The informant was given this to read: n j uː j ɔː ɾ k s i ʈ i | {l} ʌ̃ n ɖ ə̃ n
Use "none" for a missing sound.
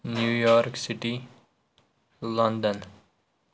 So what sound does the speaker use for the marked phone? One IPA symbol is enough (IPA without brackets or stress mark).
l